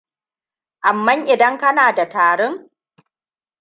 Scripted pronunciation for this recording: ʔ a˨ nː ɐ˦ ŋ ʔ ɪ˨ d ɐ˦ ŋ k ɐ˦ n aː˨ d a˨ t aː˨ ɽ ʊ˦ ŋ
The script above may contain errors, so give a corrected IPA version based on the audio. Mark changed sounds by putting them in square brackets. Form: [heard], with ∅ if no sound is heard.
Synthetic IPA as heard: ʔ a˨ [mː] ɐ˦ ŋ ʔ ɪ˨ d ɐ˦ ŋ k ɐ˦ n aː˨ d a˨ t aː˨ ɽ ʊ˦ ŋ